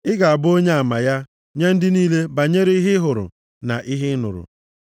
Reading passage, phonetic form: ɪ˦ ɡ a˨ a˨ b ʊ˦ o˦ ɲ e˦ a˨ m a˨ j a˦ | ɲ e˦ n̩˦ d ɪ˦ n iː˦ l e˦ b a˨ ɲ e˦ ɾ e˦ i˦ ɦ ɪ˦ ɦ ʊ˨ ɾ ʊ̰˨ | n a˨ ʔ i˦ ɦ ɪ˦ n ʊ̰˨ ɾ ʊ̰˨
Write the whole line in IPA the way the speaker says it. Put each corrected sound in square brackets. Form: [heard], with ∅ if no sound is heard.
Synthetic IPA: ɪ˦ ɡ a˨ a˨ b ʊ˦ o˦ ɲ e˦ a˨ m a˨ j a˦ | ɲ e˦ n̩˦ d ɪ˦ n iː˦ l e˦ b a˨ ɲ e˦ ɾ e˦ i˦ ɦ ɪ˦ ɦ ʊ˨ ɾ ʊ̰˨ | n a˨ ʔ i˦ ɦ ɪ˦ n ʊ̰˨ ɾ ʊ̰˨